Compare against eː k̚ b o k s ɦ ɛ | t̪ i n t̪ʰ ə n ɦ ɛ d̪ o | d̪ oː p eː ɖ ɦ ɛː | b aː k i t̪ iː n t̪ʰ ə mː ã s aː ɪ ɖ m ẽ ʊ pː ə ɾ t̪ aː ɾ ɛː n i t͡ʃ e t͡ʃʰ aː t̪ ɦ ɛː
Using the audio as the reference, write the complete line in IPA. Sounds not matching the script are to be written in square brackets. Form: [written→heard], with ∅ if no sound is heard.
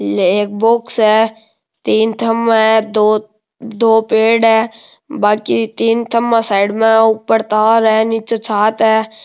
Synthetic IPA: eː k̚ b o k s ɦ ɛ | t̪ [i→iː] n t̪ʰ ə [n→m] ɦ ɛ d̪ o | d̪ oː p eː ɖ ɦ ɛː | b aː k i t̪ iː n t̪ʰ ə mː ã s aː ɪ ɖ m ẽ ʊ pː ə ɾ t̪ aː ɾ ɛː n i t͡ʃ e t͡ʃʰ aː t̪ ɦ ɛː